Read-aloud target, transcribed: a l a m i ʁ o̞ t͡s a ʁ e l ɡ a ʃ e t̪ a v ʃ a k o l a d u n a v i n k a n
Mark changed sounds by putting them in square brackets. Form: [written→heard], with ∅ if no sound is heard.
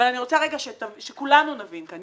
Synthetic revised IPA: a l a [m→n] i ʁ o̞ t͡s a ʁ e [l→∅] ɡ a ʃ e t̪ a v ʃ [a→e] k [o→u] l a [d→n] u n a v i n k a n